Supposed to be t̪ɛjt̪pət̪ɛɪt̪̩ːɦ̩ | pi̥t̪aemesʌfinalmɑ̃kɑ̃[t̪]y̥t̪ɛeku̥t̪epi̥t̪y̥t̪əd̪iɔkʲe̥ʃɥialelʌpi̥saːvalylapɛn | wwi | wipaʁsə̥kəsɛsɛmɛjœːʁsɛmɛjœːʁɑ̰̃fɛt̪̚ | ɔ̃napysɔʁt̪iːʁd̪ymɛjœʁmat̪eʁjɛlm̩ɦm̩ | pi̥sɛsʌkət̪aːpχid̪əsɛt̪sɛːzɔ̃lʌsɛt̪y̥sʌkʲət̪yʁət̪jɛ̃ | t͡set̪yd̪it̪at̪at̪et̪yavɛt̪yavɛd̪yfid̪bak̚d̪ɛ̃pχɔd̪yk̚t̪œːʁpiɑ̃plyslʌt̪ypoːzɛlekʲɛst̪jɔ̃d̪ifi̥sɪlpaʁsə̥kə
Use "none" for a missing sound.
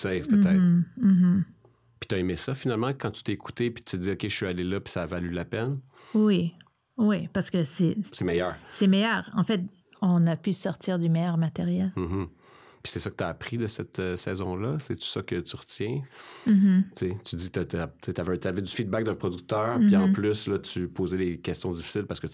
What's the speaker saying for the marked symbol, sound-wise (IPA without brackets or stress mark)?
t̪